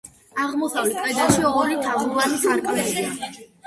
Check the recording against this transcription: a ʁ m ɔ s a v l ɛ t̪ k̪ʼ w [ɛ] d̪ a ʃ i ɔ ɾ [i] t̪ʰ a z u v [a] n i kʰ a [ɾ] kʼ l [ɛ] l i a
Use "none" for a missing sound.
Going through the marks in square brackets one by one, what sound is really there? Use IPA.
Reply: ɛ, i, a, ɾ, ɛ

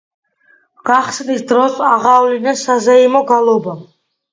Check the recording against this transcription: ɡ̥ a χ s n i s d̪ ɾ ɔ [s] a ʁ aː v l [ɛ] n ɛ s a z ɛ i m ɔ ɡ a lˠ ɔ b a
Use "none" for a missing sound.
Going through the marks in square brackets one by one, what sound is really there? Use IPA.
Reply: s, i

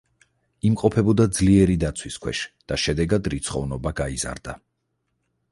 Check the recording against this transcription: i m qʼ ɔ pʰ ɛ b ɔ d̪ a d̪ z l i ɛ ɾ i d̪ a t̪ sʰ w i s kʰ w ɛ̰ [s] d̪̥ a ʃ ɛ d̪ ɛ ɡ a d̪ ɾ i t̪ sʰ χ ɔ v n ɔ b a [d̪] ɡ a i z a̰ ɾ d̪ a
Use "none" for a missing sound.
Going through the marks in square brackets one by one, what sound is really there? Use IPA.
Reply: ʃ, none

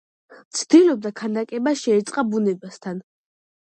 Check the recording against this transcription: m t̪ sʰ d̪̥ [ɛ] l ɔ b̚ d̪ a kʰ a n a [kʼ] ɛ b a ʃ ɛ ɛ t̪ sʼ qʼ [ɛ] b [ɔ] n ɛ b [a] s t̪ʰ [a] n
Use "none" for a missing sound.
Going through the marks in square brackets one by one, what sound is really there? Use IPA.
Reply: i, kʼ, a, u, a, a

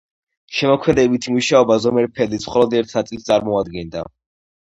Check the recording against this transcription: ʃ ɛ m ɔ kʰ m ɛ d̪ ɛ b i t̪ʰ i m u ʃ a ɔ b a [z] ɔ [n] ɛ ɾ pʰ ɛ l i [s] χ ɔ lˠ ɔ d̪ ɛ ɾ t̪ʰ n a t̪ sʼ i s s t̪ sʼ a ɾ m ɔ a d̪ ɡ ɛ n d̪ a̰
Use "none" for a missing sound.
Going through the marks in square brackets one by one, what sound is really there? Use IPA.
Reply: z, m, s

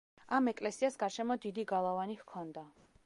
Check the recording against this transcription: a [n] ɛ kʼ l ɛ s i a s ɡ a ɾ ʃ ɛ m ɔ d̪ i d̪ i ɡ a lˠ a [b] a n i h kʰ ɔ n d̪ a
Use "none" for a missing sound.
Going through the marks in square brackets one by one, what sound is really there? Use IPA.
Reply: m, v

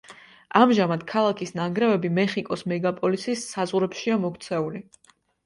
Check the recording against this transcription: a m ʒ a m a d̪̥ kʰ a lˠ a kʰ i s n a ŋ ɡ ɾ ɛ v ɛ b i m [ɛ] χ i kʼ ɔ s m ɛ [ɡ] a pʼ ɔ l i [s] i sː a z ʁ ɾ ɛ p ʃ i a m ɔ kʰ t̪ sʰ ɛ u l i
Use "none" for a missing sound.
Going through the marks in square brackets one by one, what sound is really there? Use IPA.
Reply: ɛ, ɡ, s

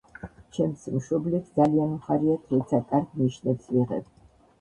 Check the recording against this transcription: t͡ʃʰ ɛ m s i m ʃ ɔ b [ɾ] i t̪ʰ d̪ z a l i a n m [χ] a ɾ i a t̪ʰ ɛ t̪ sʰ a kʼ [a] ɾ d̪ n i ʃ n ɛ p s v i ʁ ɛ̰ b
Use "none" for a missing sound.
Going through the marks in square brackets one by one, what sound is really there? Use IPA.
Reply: l, χ, a

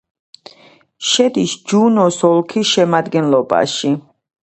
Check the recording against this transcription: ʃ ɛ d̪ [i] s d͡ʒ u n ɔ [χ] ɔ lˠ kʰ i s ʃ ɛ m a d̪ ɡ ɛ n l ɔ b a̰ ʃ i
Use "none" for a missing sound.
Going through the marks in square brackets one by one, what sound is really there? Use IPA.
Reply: i, s

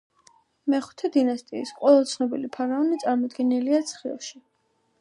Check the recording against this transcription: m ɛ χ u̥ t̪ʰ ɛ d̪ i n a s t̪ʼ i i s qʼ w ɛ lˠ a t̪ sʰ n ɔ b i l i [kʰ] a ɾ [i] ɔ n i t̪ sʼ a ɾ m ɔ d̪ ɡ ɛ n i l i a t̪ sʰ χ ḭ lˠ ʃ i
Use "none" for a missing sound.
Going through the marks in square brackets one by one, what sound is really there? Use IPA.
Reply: pʰ, a

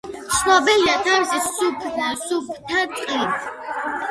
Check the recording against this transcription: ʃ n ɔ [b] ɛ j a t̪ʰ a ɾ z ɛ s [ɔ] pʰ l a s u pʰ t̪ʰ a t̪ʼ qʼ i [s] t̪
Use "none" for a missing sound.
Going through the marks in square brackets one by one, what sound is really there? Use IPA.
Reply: b, u, none

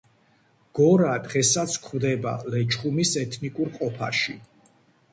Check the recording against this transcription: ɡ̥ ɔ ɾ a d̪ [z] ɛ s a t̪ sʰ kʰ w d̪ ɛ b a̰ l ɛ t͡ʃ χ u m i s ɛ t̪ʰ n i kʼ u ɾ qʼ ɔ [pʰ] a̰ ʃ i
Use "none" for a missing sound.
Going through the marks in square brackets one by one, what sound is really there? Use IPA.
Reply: ʁ, pʰ

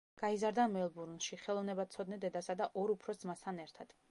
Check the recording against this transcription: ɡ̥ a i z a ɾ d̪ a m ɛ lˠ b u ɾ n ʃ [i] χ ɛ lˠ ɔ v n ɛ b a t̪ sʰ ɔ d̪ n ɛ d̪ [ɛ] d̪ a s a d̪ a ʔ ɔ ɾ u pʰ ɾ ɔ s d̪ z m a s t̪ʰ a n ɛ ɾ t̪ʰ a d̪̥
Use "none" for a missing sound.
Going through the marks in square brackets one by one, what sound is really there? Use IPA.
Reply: i, ɛ

